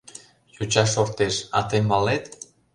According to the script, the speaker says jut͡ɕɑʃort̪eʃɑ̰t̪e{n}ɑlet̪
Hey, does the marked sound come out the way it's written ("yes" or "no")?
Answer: no